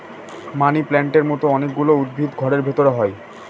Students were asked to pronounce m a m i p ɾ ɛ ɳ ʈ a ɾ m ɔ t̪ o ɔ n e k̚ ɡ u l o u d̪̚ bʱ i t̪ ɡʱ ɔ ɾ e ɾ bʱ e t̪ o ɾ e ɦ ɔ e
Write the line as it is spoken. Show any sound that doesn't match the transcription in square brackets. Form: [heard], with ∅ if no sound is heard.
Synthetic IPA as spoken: m a [n] i p [l] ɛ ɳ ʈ [e] ɾ m ɔ t̪ o ɔ n e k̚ ɡ u l o u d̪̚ bʱ i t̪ ɡʱ ɔ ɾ e ɾ bʱ e t̪ o ɾ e ɦ ɔ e